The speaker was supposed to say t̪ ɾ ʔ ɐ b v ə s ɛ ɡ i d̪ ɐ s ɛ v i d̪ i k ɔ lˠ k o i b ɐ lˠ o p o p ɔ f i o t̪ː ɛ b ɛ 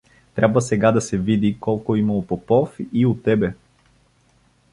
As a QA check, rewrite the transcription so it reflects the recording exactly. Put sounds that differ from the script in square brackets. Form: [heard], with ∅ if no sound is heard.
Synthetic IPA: t̪ ɾ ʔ [a] b v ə s ɛ ɡ [a] d̪ ɐ s ɛ v i d̪ i k ɔ lˠ k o i [m] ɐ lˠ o p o p ɔ f i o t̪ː ɛ b ɛ